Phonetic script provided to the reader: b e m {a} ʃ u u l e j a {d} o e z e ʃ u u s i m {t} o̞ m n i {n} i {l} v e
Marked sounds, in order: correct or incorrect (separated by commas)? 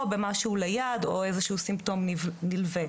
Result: correct, correct, correct, correct, correct